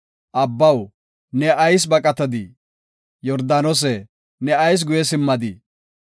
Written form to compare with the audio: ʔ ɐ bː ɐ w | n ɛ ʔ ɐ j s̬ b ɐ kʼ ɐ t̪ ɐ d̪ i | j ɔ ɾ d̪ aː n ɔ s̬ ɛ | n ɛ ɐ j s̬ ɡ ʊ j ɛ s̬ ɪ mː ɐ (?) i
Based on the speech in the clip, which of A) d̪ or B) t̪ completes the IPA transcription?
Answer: A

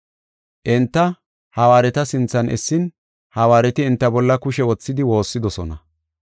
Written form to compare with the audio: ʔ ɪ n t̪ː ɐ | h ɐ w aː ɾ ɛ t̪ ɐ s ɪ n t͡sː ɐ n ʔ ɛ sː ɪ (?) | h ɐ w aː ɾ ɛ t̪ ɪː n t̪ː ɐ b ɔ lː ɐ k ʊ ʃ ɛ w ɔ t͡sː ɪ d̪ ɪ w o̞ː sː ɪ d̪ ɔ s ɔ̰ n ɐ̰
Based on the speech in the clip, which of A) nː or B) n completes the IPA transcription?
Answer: B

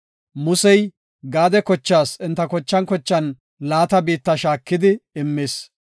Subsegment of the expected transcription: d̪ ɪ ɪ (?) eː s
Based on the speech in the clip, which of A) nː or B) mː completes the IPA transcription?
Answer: B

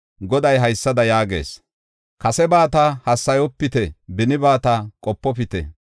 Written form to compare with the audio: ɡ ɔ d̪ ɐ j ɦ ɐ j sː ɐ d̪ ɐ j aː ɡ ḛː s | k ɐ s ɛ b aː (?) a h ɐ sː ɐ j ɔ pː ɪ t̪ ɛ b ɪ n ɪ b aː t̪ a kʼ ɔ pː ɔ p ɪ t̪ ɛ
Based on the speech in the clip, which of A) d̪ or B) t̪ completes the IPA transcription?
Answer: B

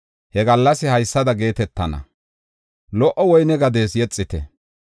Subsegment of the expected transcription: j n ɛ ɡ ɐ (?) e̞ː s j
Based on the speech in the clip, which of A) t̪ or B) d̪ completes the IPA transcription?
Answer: B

